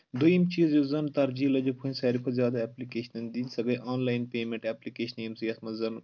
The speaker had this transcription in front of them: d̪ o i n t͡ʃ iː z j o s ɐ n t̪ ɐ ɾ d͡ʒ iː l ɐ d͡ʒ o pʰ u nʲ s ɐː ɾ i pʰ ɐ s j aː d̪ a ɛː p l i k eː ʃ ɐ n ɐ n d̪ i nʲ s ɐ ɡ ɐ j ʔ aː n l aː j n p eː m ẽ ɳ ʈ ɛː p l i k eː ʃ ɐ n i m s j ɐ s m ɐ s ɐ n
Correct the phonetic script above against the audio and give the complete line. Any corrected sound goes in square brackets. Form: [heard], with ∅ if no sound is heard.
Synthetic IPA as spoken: d̪ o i [m] t͡ʃ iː z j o [z] ɐ n t̪ ɐ ɾ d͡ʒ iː l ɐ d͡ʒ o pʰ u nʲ s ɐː ɾ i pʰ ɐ [z] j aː d̪ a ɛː p l i k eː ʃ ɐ n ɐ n d̪ i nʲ s ɐ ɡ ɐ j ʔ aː n l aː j n p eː m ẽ ɳ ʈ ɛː p l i k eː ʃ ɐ n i m s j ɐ s m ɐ [z] ɐ n